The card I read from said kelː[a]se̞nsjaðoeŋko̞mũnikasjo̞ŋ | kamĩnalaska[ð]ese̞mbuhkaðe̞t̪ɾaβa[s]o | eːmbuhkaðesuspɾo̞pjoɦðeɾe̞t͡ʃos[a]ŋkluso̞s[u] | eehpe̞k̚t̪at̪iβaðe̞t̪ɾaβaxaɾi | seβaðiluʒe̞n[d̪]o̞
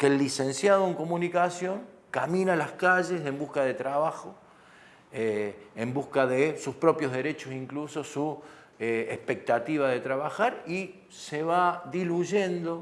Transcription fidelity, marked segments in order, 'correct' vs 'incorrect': incorrect: i, incorrect: ʒ, incorrect: x, incorrect: i, correct, correct

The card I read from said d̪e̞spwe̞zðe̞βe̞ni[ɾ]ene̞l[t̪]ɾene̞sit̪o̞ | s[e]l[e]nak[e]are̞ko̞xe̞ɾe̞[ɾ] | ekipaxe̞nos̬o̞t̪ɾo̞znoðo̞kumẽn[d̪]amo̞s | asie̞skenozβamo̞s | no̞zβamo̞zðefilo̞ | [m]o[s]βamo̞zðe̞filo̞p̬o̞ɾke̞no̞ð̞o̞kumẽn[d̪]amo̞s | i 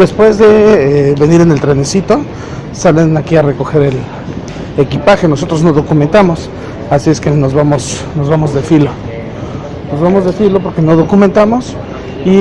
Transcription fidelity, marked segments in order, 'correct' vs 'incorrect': correct, correct, incorrect: a, correct, incorrect: i, incorrect: l, incorrect: t̪, incorrect: n, incorrect: z, incorrect: t̪

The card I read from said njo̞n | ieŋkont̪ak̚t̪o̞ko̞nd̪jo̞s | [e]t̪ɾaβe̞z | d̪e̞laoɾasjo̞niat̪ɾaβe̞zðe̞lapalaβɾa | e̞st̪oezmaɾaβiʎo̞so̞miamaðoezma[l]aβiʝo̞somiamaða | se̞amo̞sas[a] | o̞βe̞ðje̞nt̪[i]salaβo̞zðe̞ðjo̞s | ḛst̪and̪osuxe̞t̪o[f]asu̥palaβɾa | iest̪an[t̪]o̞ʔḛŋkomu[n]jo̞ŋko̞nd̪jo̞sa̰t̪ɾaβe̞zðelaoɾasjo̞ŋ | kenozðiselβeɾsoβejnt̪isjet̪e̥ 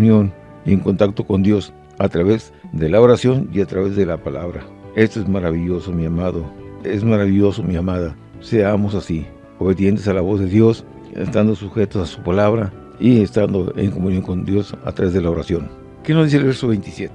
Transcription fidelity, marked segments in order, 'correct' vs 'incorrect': incorrect: a, incorrect: ɾ, incorrect: i, incorrect: e, incorrect: s, incorrect: d̪, correct

